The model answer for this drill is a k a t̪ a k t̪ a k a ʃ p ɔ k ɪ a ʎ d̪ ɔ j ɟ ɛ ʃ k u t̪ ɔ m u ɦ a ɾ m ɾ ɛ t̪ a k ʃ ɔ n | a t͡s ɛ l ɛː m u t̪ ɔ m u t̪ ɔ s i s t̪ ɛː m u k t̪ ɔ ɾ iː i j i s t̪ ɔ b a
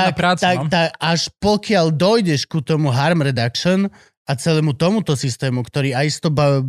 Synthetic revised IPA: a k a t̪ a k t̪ a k a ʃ p ɔ k ɪ a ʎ d̪ ɔ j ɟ ɛ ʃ k u t̪ ɔ m u ɦ a ɾ m ɾ ɛ d̪ a k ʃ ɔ n | a t͡s ɛ l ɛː m u t̪ ɔ m u t̪ ɔ s i s t̪ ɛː m u k t̪ ɔ ɾ iː a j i s t̪ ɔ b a